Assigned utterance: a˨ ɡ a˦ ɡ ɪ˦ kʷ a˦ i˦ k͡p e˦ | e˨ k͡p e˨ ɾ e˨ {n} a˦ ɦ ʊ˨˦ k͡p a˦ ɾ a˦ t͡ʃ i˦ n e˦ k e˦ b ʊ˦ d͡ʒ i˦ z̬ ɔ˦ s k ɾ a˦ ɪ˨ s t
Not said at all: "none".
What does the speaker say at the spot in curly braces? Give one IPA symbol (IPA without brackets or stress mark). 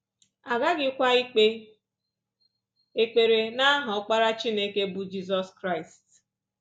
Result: n